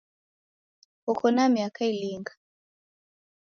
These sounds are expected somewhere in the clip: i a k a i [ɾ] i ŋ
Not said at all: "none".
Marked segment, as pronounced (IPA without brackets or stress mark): l